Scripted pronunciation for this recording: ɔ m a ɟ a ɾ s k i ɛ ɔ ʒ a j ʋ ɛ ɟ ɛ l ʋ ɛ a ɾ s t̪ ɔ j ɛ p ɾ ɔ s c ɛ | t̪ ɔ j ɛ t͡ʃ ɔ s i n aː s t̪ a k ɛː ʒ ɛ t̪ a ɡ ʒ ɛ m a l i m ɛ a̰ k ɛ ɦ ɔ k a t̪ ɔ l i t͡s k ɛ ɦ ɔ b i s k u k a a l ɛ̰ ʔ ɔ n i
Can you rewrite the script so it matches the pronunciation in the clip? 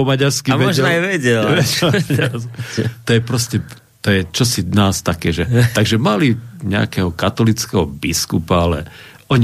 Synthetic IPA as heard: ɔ m a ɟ a ɾ s k i ɛ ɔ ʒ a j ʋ ɛ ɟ ɛ l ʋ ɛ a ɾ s t̪ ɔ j ɛ p ɾ ɔ s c ɛ | t̪ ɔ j ɛ t͡ʃ ɔ s i n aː s t̪ a k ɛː ʒ ɛ t̪ a ɡ ʒ ɛ m a l i ɲ ɛ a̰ k ɛ ɦ ɔ k a t̪ ɔ l i t͡s k ɛ ɦ ɔ b i s k u p a a l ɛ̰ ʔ ɔ ɲ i